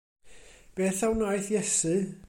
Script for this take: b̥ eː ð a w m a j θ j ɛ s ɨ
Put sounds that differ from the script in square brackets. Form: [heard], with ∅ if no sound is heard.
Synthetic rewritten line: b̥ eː [θ] a w [n] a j θ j ɛ s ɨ